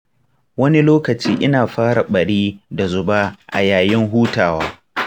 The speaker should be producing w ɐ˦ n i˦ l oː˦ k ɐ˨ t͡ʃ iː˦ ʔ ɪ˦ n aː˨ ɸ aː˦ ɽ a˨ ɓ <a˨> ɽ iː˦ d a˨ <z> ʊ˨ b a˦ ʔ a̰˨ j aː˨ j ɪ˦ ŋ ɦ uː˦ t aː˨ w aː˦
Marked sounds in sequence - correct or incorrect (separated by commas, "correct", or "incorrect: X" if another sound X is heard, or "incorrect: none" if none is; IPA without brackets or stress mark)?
incorrect: ɐ˨, correct